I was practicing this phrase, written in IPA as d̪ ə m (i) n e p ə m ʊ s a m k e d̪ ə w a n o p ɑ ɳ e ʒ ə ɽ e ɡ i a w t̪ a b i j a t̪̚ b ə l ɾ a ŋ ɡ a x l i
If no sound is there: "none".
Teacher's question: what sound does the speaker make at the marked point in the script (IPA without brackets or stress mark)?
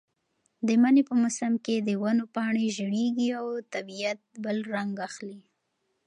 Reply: a